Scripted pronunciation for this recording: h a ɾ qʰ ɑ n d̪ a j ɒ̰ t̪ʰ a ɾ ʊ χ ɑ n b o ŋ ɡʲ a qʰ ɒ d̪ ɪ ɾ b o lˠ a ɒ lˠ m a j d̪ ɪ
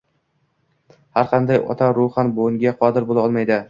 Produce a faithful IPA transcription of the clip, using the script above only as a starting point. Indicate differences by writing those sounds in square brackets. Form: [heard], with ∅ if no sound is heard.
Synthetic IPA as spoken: h a ɾ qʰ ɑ n d̪ a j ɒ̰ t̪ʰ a ɾ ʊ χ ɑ n b o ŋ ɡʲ a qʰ ɒ d̪ ɪ ɾ b o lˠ a ɒ lˠ m a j d̪ ɪ